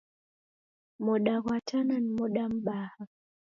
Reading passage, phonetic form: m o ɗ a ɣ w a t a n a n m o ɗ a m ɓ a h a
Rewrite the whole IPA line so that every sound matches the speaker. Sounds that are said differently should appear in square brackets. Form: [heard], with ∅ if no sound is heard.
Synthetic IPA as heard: m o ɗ a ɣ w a t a n a n m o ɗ a m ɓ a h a

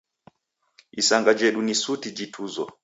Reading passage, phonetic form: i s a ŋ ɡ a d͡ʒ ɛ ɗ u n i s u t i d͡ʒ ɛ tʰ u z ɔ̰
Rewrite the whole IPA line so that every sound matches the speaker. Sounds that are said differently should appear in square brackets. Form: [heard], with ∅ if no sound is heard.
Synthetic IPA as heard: i s a ŋ ɡ a d͡ʒ ɛ ɗ u n i s u t i d͡ʒ [i] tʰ u z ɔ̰

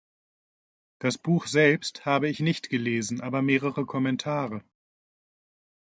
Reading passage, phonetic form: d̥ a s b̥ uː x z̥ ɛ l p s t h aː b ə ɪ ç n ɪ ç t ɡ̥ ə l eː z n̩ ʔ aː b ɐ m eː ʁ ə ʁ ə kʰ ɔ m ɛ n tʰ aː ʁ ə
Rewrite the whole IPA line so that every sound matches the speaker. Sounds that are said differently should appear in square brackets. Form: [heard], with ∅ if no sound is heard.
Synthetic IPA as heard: d̥ a s b̥ uː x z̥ ɛ l p s t h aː b ə ɪ ç n ɪ ç t ɡ̥ ə l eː z n̩ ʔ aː b ɐ m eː ʁ ə ʁ ə kʰ ɔ m ɛ n tʰ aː ʁ ə

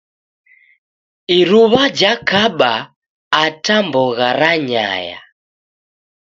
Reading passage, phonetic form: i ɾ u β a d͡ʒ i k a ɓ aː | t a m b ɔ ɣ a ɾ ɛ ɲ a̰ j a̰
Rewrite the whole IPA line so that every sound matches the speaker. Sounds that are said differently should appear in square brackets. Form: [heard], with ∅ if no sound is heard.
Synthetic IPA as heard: i ɾ u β a d͡ʒ [a] k a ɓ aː | t a m b ɔ ɣ a ɾ [a] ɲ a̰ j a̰

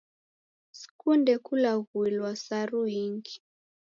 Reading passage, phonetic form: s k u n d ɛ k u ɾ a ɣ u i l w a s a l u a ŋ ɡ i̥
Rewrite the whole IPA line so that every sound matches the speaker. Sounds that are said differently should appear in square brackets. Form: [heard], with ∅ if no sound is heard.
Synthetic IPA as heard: s k u n d ɛ k u [l] a ɣ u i l w a s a [ɾ] u [i] ŋ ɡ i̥

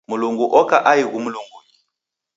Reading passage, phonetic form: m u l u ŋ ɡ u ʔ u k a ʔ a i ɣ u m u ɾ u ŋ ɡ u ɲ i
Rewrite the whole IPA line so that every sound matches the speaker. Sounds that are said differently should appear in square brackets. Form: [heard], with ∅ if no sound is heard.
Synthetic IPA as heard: m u l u ŋ ɡ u ʔ [ɔ] k a ʔ a i ɣ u m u [l] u ŋ ɡ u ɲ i

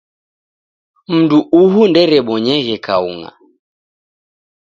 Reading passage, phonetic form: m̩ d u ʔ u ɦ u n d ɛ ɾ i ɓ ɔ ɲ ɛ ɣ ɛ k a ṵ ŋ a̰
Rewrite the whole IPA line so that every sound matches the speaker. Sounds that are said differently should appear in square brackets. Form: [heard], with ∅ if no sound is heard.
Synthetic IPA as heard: m̩ d u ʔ u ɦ u n d ɛ ɾ [ɛ] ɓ ɔ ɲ ɛ ɣ ɛ k a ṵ ŋ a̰

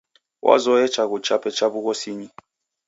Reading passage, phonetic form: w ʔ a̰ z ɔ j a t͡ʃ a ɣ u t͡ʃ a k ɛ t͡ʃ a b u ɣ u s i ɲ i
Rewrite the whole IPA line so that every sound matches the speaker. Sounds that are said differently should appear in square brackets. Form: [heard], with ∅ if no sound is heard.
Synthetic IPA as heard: w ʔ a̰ z ɔ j [ɛ] t͡ʃ a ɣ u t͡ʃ a [p] ɛ t͡ʃ a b u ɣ [ɔ] s i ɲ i

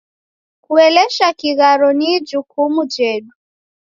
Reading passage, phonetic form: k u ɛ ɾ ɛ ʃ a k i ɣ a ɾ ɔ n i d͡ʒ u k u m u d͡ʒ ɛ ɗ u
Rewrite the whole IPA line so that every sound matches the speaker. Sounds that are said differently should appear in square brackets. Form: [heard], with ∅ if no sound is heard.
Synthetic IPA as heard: k u ɛ [l] ɛ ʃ a k i ɣ a ɾ ɔ n i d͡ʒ u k u m u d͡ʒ ɛ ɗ u

